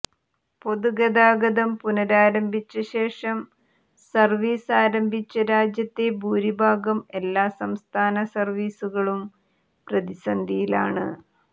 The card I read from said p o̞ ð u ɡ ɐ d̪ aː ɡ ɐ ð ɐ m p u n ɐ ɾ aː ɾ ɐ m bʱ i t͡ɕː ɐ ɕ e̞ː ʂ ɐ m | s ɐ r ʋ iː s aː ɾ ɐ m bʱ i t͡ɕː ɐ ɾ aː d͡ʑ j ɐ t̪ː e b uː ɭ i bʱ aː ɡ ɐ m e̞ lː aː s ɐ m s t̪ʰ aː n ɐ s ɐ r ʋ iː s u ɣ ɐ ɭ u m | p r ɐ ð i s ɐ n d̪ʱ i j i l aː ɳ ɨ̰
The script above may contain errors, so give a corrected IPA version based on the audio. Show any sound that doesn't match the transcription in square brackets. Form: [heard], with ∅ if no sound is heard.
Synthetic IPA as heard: p o̞ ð u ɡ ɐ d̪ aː ɡ ɐ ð ɐ m p u n ɐ ɾ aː ɾ ɐ m bʱ i t͡ɕː ɐ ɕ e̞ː ʂ ɐ m | s ɐ r ʋ iː s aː ɾ ɐ m bʱ i t͡ɕː ɐ ɾ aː d͡ʑ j ɐ t̪ː e b uː [ɾ] i bʱ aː ɡ ɐ m e̞ lː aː s ɐ m s t̪ʰ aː n ɐ s ɐ r ʋ iː s u ɣ ɐ ɭ u m | p r ɐ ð i s ɐ n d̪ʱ i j i l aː ɳ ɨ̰